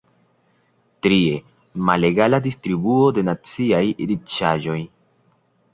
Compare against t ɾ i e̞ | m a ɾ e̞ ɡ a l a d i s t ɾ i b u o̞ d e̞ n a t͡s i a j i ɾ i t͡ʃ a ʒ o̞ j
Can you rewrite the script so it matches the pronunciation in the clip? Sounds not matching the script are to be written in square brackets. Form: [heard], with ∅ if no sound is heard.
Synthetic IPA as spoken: t ɾ i e̞ | m a [l] e̞ ɡ a l a d i s t ɾ i b u o̞ d e̞ n a t͡s i a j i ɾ i t͡ʃ a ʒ o̞ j